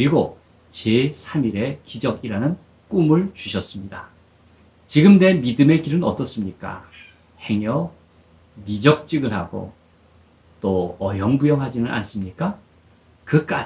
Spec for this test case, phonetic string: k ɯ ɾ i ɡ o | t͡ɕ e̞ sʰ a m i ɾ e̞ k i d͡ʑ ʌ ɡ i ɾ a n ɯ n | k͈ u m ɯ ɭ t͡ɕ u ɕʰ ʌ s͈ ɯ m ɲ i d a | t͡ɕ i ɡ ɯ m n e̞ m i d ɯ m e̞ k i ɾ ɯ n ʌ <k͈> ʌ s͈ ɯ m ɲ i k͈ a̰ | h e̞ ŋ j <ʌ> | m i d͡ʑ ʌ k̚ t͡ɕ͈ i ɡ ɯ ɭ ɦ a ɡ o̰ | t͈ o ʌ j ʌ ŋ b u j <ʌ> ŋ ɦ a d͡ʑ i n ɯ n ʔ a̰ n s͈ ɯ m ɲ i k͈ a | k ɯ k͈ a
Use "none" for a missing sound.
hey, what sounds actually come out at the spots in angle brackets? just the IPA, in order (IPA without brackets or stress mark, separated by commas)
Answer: t͈, ʌ, ʌ